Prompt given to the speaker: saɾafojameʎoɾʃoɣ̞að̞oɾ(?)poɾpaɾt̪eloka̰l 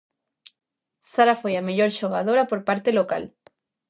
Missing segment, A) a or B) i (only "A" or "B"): A